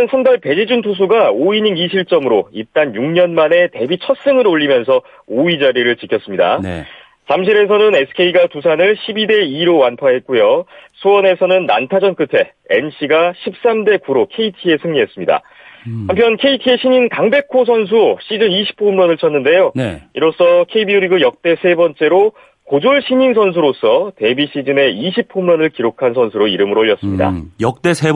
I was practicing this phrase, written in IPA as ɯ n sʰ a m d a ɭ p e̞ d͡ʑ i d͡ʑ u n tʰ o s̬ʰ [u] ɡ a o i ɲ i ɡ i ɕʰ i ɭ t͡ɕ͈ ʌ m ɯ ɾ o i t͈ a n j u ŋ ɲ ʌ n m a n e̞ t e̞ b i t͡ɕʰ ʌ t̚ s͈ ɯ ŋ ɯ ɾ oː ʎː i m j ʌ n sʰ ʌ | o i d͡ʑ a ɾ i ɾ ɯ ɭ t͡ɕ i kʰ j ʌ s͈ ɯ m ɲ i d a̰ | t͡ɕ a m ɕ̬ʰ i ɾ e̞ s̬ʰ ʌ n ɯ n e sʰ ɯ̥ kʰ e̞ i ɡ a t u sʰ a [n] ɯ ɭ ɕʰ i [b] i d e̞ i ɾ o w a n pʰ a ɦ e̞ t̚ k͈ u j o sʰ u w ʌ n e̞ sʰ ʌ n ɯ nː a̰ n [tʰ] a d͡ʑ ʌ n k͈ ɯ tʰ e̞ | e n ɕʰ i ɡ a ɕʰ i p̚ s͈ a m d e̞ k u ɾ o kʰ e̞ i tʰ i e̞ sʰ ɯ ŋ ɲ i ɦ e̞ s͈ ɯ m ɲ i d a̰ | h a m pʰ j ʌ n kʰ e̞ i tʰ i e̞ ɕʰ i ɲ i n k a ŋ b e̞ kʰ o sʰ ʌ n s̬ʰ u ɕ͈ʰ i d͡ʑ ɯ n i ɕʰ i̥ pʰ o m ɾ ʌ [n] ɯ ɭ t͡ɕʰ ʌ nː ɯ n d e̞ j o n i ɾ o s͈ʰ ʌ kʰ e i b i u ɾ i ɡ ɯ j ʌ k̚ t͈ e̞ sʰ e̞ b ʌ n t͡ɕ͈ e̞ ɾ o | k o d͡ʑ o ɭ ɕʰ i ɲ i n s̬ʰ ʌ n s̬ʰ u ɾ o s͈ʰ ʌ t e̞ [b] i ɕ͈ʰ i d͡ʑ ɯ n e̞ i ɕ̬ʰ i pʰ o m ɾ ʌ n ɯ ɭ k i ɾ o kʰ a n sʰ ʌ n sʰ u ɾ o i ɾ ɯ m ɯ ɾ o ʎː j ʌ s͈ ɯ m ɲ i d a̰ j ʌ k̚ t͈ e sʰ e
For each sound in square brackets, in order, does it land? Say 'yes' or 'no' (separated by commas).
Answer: yes, yes, yes, yes, yes, yes